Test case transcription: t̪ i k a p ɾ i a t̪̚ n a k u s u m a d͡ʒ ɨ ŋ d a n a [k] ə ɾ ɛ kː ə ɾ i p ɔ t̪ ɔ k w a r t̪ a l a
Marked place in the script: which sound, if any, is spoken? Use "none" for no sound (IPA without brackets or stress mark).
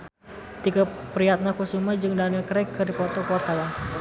k